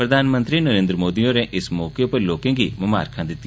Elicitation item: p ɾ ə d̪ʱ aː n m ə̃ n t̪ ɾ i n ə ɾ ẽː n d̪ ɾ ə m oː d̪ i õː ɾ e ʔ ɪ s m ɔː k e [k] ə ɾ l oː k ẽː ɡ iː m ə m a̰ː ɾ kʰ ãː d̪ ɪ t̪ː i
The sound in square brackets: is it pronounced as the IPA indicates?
no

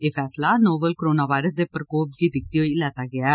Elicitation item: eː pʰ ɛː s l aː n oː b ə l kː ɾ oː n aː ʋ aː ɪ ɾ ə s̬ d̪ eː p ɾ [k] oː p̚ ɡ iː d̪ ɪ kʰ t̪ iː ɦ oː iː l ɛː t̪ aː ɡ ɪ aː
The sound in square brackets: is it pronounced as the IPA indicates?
yes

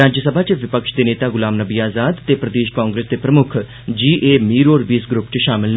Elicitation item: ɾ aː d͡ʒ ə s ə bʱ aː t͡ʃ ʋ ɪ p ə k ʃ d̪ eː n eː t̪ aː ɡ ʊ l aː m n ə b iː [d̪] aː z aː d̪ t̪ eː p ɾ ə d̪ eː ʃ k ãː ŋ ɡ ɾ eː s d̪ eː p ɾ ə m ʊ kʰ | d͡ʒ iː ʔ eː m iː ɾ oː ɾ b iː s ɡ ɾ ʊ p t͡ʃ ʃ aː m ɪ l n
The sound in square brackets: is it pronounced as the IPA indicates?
no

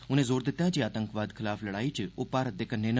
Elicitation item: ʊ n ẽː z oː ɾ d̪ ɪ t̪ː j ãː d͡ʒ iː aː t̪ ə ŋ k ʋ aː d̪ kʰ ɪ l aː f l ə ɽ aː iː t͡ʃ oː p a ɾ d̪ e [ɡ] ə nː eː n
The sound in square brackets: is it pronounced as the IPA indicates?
no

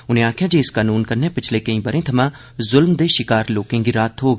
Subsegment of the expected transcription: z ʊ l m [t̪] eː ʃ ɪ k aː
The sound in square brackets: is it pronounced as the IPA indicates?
no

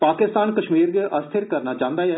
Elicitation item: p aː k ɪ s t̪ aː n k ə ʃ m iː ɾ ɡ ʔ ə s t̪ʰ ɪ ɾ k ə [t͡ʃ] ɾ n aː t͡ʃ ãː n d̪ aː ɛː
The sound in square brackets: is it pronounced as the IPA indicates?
no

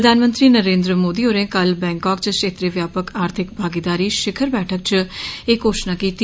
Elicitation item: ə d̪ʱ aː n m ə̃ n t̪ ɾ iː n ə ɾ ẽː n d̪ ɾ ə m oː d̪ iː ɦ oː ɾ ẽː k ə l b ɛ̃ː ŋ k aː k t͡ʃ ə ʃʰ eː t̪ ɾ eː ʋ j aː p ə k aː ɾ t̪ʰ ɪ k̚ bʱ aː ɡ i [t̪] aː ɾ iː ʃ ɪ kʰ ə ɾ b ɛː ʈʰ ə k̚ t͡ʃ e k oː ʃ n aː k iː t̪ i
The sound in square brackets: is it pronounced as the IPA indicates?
no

